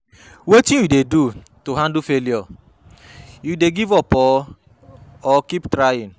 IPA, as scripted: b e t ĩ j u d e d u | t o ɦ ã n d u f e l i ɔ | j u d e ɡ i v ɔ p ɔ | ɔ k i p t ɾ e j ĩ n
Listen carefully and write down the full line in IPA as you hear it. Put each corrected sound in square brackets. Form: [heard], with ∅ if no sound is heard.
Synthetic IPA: [w] e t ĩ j u d e d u | t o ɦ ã n d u f e l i ɔ | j u d e ɡ i v ɔ p ɔ | ɔ k i p t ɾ [a] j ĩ n